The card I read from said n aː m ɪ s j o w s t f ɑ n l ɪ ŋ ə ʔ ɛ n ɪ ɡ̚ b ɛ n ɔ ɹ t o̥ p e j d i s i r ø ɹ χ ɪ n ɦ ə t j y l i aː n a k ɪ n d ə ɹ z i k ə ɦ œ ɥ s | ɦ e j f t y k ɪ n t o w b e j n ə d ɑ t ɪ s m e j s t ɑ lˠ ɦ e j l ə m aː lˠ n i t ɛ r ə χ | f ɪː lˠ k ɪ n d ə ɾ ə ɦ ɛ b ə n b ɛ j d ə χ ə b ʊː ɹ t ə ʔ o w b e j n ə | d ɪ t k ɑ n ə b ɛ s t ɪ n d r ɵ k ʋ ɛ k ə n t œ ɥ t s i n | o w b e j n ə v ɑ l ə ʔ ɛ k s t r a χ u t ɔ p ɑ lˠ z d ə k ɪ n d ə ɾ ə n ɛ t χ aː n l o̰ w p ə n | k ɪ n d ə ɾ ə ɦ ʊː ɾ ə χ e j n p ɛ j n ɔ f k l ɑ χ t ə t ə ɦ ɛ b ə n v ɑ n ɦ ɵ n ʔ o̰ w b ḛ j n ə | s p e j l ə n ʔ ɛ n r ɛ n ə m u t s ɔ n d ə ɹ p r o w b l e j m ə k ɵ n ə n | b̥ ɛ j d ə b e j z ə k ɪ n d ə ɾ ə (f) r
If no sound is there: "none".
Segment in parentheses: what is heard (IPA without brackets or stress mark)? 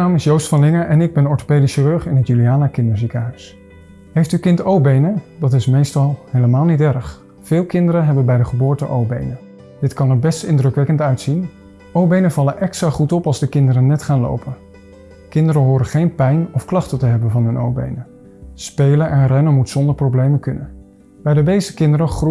χ